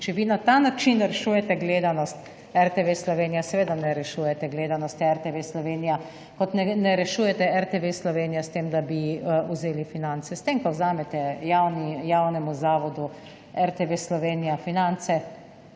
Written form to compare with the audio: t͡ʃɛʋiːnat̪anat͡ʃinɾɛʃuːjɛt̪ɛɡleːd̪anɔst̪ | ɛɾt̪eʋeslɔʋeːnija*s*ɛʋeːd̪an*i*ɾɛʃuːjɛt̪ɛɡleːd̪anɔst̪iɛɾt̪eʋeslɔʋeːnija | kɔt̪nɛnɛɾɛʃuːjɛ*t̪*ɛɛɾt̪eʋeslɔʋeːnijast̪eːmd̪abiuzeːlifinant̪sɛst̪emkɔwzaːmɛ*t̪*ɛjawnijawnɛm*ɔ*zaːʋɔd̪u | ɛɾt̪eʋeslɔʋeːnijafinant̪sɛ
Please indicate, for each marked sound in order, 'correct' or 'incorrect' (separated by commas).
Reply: correct, incorrect, correct, correct, incorrect